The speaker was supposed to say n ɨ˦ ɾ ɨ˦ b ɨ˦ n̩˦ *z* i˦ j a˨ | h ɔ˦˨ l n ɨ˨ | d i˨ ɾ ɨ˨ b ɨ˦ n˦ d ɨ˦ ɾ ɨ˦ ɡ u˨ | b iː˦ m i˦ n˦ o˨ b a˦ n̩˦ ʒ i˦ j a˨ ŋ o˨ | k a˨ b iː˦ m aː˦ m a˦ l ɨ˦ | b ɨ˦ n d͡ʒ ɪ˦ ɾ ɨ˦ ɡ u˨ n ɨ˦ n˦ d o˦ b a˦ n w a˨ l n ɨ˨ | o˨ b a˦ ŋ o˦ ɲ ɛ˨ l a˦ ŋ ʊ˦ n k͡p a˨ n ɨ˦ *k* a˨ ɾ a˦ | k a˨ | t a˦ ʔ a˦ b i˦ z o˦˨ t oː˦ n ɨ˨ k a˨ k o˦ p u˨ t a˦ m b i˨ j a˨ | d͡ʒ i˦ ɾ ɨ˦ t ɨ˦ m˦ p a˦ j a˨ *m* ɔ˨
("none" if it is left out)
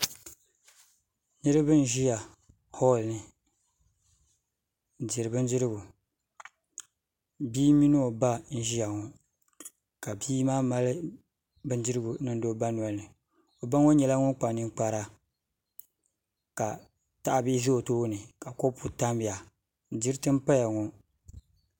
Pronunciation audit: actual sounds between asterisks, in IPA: ʒ, k͡p, ŋ

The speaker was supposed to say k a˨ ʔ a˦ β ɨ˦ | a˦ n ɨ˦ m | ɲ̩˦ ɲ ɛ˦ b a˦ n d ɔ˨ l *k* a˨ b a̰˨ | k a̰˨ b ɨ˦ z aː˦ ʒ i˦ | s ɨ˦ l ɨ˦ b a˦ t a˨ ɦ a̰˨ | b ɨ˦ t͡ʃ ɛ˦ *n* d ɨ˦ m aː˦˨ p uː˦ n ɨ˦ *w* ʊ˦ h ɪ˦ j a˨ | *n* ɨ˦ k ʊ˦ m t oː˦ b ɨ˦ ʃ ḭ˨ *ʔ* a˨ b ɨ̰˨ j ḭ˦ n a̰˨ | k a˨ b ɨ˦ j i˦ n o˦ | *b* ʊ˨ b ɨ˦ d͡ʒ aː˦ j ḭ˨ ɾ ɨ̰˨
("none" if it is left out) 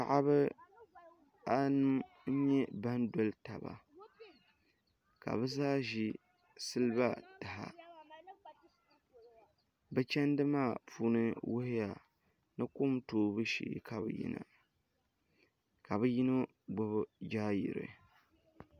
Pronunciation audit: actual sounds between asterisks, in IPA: t, n, w, n, k, ɡ͡b

